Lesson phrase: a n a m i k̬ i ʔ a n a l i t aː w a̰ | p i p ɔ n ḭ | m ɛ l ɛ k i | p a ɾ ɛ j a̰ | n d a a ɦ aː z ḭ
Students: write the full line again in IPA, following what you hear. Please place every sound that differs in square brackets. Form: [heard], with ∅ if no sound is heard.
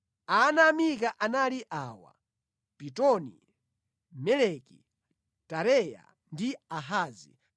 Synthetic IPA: a n a m i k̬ [a] ʔ a n a l i [ʔ] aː w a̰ | p i [t] ɔ n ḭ | m ɛ l ɛ k i | [t] a ɾ ɛ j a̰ | n d [i] a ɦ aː z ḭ

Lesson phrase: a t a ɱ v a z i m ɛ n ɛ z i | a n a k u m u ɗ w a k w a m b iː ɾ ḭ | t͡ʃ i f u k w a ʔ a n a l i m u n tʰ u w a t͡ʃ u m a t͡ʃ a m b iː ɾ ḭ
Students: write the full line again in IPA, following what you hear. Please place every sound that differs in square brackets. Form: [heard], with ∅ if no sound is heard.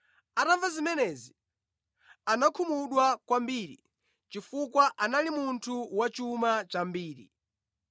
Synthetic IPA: a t a ɱ v a z i m ɛ n ɛ z i | a n a [kʰ] u m u ɗ w a k w a m b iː ɾ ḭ | t͡ʃ i f u k w a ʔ a n a l i m u n tʰ u w a t͡ʃ u m a t͡ʃ a m b iː ɾ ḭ

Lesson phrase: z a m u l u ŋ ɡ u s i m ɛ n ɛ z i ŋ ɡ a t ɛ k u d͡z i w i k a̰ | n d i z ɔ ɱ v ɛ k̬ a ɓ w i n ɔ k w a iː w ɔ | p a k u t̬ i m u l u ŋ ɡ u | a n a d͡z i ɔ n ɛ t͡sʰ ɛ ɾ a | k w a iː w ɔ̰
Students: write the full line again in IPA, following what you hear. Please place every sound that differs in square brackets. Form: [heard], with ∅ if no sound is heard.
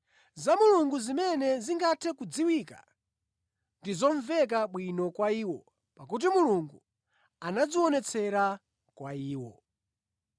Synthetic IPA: z a m u l u ŋ ɡ u [z] i m ɛ n ɛ z i ŋ ɡ a [tʰ] ɛ k u d͡z i w i k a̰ | n d i z ɔ ɱ v ɛ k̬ a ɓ w i n ɔ k w a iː w ɔ | p a k u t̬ i m u l u ŋ ɡ u | a n a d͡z i ɔ n ɛ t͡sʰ ɛ ɾ a | k w a iː w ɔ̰

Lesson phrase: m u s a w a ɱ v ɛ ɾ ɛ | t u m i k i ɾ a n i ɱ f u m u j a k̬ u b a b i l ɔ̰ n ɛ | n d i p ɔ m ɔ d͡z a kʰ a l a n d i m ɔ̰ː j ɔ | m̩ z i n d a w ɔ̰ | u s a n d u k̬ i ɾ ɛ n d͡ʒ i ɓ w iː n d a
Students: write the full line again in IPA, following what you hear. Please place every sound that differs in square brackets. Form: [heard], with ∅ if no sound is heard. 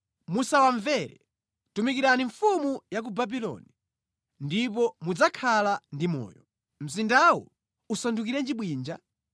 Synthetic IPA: m u s a w a ɱ v ɛ ɾ ɛ | t u m i k i ɾ a n i ɱ f u m u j a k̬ u b a b i l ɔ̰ n [i] | n d i p ɔ m [u] d͡z a kʰ a l a n d i m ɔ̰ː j ɔ | m̩ z i n d a w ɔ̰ | u s a n d u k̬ i ɾ ɛ n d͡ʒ i ɓ w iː n [d͡ʒ] a

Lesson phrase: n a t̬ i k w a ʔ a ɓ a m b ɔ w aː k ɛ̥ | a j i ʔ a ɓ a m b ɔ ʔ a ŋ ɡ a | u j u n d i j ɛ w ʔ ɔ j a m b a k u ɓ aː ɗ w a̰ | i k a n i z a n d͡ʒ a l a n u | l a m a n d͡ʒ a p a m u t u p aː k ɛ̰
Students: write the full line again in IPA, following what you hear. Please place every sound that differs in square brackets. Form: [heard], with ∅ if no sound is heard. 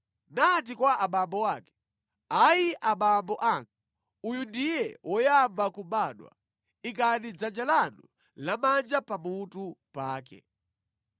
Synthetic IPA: n a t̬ i k w a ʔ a ɓ a m b ɔ w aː k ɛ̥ | a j i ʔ a ɓ a m b ɔ ʔ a ŋ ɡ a | u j u n d i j ɛ w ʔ ɔ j a m b a k u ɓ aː ɗ w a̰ | i k a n i [d͡z] a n d͡ʒ a l a n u | l a m a n d͡ʒ a p a m u t u p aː k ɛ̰

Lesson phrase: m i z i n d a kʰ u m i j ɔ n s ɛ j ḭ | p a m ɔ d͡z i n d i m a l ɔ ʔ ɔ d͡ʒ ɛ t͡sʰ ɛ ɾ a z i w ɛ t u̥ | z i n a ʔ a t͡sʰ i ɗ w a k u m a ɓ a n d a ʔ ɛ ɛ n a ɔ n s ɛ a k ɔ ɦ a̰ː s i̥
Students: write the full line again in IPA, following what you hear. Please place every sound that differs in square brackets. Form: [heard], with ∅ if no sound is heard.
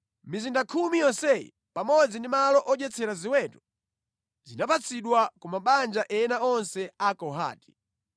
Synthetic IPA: m i z i n d a kʰ u m i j ɔ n s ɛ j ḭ | p a m ɔ d͡z i n d i m a l ɔ ʔ ɔ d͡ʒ ɛ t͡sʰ ɛ ɾ a z i w ɛ t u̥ | z i n a [p] a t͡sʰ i ɗ w a k u m a ɓ a n [d͡ʒ] a ʔ ɛ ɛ n a ɔ n s ɛ a k ɔ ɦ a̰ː [t] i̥

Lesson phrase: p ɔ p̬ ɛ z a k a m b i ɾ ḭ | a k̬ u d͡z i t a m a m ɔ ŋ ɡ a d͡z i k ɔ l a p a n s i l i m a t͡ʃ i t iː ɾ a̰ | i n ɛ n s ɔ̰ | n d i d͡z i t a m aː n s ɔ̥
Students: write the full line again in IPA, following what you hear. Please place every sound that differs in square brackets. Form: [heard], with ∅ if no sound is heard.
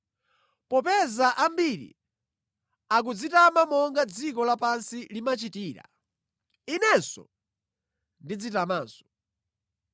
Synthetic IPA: p ɔ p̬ ɛ z a [ʔ] a m b i ɾ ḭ | a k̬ u d͡z i t a m a m ɔ ŋ ɡ a d͡z i k ɔ l a p a n s i l i m a t͡ʃ i t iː ɾ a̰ | i n ɛ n s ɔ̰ | n d i d͡z i t a m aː n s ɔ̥

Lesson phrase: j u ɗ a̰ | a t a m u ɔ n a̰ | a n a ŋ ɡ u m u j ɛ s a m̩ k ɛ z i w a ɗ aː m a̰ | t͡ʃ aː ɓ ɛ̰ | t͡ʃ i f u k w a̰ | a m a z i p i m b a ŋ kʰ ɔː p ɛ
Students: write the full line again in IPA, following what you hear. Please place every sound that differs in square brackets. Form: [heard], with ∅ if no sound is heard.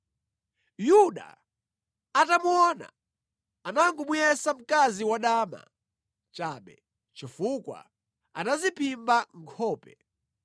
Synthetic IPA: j u ɗ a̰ | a t a m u ɔ n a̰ | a n a ŋ ɡ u m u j ɛ s a m̩ k [a] z i w a ɗ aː m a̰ | t͡ʃ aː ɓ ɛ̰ | t͡ʃ i f u k w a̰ | a [n] a z i p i m b a ŋ kʰ ɔː p ɛ

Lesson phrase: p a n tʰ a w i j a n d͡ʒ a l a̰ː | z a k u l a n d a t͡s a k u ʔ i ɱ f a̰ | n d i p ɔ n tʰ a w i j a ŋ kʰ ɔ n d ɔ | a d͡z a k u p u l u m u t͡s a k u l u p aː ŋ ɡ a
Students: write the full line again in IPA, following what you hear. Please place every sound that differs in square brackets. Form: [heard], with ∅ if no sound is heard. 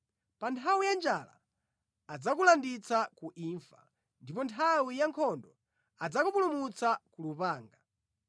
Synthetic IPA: p a n tʰ a w i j a n d͡ʒ a l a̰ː | [d͡z] a k u l a n d [i] t͡s a k u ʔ i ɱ f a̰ | n d i p ɔ n tʰ a w i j a ŋ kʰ ɔ n d ɔ | a d͡z a k u p u l u m u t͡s a k u l u p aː ŋ ɡ a

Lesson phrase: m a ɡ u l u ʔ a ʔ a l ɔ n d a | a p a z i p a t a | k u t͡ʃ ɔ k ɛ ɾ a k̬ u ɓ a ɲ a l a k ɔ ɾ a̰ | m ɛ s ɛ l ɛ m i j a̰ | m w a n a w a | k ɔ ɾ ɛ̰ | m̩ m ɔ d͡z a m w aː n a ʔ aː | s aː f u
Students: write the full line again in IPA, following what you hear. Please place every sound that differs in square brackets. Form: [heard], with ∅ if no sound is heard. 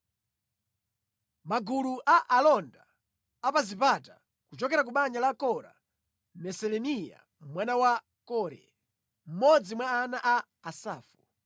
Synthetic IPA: m a ɡ u l u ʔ a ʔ a l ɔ n d a | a p a z i p a t a | k u t͡ʃ ɔ k ɛ ɾ a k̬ u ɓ a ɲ a l a k ɔ ɾ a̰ | m ɛ s ɛ l ɛ [n] i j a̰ | m w a n a w a | k ɔ ɾ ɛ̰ | m̩ m ɔ d͡z [i] m w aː n a ʔ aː | s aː f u

